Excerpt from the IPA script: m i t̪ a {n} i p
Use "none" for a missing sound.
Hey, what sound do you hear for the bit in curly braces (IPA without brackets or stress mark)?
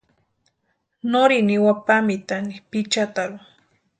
n